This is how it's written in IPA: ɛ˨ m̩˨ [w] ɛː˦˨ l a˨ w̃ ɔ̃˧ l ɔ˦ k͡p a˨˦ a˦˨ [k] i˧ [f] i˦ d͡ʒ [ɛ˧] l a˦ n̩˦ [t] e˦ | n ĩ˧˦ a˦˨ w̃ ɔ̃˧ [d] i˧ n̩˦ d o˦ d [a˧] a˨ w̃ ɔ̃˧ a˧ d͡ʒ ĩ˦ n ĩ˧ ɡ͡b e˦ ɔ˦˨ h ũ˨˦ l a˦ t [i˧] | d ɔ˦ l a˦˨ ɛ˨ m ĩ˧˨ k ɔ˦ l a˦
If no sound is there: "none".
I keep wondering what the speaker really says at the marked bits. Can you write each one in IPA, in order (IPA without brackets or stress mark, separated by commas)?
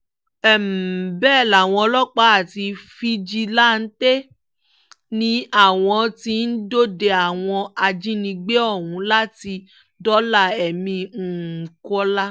b, t, f, i˧, t, t, e˧, i˧